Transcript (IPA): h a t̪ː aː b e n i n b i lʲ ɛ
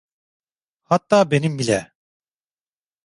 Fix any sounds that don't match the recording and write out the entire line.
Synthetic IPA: h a t̪ː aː b e n i m b i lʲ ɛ